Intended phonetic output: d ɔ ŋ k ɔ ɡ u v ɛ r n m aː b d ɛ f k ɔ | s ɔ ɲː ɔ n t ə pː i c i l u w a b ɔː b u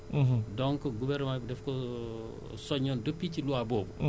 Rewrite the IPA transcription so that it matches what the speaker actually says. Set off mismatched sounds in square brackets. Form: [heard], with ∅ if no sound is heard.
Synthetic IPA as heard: d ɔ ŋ k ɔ ɡ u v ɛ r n m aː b d ɛ f k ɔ | s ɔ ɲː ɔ n [d] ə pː i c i l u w a b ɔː b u

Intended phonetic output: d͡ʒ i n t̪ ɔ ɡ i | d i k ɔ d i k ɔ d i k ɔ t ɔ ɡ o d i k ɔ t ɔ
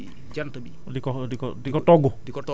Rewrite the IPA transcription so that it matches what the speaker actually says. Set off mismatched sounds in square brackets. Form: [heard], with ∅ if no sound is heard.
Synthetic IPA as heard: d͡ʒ [a] n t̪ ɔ [b] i | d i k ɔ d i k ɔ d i k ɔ t ɔ ɡ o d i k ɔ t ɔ

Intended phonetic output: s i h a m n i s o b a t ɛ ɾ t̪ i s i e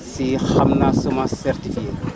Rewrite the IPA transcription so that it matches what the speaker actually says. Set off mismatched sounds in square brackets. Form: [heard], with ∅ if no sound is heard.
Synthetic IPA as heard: s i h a m n [a] s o [m] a [s] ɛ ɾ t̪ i [f] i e

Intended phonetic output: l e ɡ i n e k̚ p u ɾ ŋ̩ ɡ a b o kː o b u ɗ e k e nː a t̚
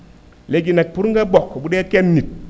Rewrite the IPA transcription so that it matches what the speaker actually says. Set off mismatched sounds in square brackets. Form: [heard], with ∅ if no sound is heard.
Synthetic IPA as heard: l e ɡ i n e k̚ p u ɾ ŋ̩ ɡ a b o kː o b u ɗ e k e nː [i] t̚

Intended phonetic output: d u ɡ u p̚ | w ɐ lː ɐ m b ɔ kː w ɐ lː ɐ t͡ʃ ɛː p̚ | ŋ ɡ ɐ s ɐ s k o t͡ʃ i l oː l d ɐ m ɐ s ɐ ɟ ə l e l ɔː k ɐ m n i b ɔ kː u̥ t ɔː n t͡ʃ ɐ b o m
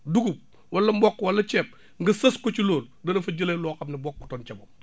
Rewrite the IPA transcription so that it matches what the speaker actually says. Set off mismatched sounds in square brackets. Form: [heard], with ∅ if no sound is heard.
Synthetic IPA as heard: d u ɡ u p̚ | w ɐ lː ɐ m b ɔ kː w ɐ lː ɐ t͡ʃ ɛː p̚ | ŋ ɡ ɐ s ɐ s k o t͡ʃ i l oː l d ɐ [n] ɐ [f] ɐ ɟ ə l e l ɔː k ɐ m n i b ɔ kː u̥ t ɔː n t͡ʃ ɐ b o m

